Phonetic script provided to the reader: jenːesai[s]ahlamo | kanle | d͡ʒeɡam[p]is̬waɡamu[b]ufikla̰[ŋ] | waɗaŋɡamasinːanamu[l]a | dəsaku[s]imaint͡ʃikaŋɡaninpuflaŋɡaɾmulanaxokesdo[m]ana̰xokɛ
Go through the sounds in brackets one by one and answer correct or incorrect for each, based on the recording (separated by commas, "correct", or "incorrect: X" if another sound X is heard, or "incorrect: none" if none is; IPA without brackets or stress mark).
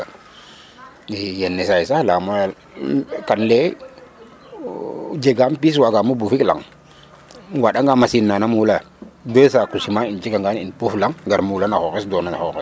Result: correct, correct, correct, correct, correct, correct, incorrect: n